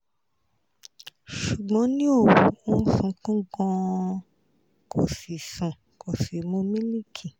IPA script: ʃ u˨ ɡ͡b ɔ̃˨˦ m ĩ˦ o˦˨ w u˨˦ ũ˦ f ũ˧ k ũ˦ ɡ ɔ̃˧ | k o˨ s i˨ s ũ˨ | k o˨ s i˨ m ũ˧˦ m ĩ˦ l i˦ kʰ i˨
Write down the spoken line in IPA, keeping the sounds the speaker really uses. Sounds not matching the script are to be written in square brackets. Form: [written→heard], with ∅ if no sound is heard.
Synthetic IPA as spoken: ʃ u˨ ɡ͡b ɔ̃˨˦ [m→n] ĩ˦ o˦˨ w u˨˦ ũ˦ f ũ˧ k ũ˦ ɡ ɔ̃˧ | k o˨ s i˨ s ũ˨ | k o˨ s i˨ m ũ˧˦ m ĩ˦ l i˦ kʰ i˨